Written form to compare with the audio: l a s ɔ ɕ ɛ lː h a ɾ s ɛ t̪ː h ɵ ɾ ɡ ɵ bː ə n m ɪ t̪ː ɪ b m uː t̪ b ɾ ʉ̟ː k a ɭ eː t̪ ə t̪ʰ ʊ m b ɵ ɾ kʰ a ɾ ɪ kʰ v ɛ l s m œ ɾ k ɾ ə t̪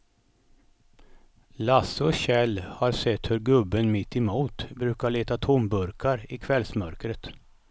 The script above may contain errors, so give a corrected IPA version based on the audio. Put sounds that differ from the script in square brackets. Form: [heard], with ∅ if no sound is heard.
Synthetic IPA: l a s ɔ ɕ ɛ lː h a ɾ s ɛ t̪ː h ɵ ɾ ɡ ɵ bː ə n m ɪ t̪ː ɪ [∅] m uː t̪ b ɾ ʉ̟ː k a ɭ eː t̪ [a] t̪ʰ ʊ m b ɵ ɾ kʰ a ɾ ɪ kʰ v ɛ l s m œ ɾ k ɾ ə t̪